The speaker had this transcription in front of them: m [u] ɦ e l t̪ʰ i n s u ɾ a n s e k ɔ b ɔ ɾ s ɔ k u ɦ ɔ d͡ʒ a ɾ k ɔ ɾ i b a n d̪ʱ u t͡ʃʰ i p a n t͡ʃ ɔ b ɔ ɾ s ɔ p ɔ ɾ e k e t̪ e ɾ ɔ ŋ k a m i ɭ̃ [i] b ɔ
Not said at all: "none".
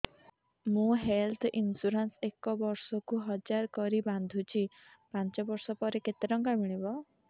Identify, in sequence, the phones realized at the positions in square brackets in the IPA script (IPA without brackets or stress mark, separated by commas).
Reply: ũ, i